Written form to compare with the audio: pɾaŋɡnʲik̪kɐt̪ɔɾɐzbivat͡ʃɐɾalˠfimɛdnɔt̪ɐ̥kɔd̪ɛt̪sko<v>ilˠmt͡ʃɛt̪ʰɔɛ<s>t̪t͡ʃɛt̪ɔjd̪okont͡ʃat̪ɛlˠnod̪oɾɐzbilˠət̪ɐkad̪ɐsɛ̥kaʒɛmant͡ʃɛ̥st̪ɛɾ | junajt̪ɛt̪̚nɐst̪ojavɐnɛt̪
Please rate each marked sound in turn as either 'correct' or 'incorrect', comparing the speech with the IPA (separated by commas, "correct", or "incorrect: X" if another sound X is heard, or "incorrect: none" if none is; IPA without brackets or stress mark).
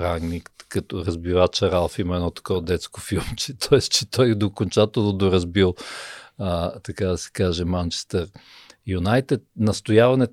incorrect: f, correct